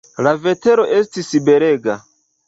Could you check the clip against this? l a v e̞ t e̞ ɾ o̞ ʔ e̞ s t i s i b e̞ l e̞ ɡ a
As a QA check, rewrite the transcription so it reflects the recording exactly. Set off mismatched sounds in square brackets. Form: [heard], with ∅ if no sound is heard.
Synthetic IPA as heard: l a v e̞ t e̞ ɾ o̞ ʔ e̞ s t i s i b e̞ [ɾ] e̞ ɡ a